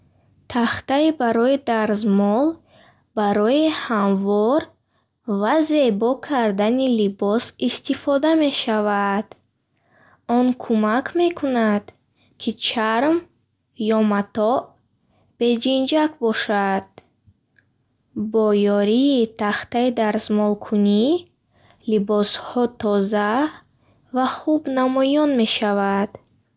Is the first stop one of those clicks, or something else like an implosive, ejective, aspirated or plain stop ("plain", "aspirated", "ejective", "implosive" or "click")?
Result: aspirated